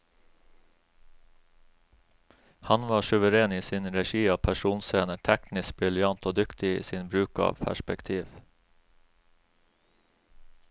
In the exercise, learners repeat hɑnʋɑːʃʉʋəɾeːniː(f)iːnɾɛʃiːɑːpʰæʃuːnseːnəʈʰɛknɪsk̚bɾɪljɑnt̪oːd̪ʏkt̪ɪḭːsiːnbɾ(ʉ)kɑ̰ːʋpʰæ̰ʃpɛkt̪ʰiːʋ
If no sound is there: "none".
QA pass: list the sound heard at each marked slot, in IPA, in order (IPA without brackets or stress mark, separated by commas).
s, ʉː